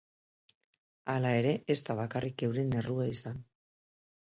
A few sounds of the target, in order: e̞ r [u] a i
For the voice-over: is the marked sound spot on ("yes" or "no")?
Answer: yes